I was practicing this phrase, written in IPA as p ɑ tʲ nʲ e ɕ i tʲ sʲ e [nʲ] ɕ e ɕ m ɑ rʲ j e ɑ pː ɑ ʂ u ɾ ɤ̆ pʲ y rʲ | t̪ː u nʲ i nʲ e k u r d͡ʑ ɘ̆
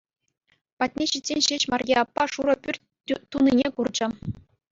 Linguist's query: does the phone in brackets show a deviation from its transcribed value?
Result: no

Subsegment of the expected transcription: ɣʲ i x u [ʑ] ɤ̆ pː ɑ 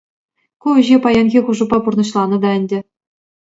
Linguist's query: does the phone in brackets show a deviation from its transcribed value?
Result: yes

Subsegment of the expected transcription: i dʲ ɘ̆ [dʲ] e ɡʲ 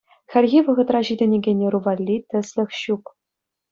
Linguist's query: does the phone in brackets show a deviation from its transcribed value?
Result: yes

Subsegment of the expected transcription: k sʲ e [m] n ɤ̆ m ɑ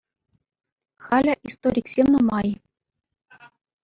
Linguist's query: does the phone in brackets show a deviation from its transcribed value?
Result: no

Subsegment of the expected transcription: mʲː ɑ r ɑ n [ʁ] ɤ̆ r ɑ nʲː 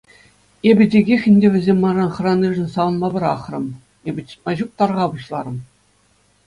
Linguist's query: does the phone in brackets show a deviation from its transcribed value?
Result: yes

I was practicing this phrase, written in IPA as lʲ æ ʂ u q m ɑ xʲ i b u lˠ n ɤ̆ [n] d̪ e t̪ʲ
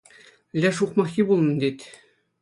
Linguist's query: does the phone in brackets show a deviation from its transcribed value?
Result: no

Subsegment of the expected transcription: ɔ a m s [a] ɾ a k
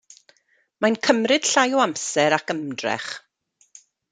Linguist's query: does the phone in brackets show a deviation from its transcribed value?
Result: yes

